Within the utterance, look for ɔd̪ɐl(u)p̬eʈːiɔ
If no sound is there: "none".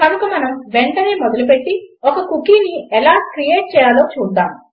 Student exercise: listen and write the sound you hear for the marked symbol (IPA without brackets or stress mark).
u